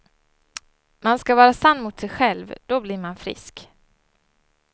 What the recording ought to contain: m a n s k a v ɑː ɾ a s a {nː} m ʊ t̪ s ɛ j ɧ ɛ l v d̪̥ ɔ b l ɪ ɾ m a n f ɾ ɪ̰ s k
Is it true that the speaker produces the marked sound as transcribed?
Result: yes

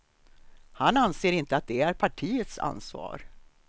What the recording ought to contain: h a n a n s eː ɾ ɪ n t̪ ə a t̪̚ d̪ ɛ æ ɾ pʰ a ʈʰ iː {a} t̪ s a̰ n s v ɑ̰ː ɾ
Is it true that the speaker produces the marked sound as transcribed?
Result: no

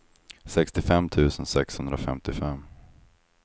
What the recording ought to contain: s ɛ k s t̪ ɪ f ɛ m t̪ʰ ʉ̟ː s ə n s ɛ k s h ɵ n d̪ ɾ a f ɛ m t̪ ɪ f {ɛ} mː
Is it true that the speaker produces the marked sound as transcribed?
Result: yes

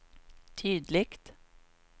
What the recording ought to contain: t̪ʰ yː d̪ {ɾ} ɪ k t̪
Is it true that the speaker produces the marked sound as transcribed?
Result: no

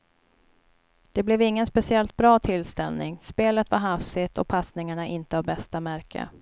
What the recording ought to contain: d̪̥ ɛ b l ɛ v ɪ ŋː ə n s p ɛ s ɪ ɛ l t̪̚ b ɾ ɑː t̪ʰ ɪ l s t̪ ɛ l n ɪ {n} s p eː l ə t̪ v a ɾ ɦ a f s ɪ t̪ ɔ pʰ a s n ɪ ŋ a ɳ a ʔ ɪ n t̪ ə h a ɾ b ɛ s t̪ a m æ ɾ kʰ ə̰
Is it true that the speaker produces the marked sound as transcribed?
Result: no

